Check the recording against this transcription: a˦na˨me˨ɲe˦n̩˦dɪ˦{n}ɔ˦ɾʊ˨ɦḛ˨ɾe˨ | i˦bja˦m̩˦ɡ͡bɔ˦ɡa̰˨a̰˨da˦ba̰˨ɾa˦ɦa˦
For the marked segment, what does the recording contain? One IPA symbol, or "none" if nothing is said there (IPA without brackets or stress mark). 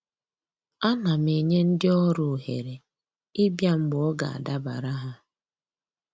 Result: none